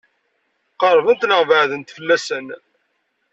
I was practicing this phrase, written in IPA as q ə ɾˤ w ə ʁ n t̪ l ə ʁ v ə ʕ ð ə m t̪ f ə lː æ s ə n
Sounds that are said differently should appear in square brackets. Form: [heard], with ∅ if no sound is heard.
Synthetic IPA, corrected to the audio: q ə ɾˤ [v] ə [∅] n t̪ l ə ʁ v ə ʕ ð ə [n] t̪ f ə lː æ s ə n